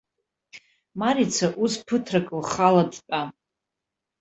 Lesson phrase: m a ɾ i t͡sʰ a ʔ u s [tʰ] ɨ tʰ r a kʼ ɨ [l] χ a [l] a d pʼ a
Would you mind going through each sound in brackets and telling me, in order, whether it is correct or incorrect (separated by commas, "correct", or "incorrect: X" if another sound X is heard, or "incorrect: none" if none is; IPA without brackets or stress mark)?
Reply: incorrect: pʰ, correct, correct